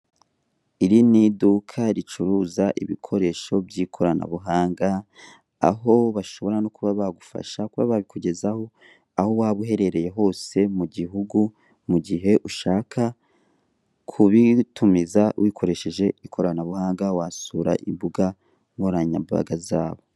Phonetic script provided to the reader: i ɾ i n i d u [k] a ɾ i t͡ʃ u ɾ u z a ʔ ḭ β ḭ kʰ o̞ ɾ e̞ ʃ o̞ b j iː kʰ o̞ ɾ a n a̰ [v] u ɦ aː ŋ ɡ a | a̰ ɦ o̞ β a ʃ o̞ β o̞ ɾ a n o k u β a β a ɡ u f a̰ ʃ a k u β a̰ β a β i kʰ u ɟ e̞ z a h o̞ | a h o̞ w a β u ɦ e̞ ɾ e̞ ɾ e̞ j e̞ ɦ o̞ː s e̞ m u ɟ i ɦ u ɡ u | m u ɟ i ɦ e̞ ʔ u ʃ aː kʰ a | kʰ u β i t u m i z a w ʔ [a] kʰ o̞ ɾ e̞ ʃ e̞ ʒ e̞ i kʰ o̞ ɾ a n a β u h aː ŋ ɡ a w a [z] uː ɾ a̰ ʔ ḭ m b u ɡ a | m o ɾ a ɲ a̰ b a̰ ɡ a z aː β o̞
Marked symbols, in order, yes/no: no, no, no, no

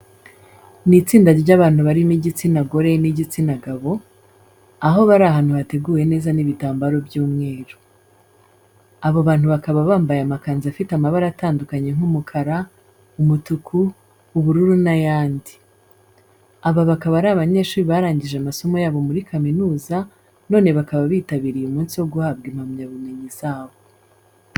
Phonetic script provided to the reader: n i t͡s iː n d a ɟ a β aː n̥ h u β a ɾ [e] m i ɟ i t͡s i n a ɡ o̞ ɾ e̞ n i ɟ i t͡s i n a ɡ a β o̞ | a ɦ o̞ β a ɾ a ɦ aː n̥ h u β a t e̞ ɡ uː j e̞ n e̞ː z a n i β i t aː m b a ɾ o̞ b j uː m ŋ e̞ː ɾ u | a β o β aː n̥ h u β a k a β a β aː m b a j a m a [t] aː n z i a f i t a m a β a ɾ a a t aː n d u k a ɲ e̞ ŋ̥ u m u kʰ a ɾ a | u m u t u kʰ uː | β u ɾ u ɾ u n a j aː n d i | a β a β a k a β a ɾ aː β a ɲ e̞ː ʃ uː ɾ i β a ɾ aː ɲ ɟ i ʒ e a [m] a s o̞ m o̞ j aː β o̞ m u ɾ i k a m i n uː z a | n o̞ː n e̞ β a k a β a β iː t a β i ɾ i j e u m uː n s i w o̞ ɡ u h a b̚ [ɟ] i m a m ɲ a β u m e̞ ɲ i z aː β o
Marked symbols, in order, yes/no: no, no, yes, no

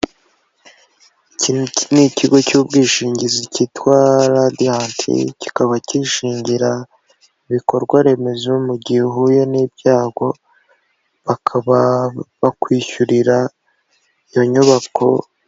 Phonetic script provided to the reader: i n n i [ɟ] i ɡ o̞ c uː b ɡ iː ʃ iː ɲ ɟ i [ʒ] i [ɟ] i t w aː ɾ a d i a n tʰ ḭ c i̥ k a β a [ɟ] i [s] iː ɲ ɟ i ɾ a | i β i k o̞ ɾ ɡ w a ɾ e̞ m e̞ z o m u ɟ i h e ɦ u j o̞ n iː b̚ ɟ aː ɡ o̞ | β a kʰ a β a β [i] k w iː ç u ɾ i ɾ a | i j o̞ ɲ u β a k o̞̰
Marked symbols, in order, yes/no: no, no, no, no, no, no

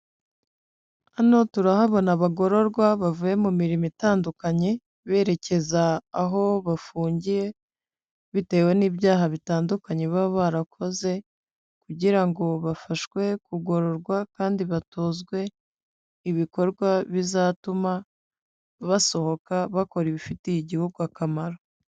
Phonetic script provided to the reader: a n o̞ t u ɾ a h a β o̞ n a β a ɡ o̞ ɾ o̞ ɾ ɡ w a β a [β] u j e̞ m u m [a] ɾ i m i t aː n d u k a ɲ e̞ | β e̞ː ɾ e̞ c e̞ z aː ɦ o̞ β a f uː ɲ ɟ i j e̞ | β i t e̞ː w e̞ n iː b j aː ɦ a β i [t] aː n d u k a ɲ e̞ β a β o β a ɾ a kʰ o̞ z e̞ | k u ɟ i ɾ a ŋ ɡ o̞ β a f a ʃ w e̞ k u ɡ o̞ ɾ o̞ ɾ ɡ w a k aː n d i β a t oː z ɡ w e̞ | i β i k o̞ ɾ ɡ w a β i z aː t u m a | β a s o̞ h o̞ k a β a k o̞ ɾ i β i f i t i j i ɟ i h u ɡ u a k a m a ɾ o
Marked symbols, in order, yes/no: no, no, yes

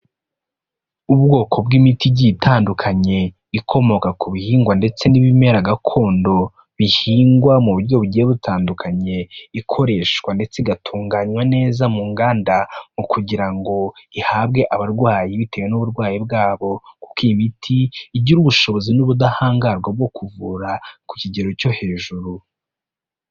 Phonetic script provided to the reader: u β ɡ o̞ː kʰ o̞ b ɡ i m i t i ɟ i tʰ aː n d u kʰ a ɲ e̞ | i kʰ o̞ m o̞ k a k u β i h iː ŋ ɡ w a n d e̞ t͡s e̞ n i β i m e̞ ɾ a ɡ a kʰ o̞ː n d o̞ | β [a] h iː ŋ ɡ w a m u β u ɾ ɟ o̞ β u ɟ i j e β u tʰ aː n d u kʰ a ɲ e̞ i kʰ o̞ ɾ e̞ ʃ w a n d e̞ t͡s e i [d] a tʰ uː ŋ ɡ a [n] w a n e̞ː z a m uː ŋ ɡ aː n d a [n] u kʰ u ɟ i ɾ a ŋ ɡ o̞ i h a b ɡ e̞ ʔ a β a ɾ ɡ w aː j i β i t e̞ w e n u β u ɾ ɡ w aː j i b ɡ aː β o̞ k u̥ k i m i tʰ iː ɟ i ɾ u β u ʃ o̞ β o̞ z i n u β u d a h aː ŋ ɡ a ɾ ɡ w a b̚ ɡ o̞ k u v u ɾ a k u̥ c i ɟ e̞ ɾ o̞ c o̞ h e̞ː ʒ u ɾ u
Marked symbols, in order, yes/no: no, no, no, no

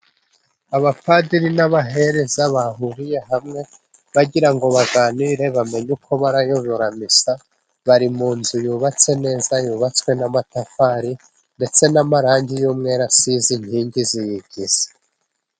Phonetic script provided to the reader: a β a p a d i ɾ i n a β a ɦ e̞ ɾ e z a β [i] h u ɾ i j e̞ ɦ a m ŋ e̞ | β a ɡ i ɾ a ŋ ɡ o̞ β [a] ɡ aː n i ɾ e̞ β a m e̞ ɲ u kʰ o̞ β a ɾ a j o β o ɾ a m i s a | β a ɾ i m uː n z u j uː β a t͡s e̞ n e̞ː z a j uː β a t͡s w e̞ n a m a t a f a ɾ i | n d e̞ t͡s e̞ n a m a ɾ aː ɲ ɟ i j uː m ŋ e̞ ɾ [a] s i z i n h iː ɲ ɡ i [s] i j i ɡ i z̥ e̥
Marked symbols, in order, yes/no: no, yes, yes, no

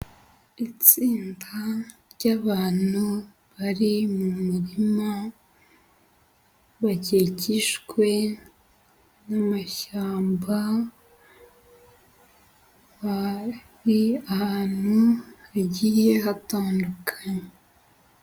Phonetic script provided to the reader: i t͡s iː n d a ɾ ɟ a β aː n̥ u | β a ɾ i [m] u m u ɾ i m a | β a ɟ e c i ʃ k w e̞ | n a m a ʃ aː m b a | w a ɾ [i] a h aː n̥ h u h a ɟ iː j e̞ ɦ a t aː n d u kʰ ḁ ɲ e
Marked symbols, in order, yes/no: yes, yes

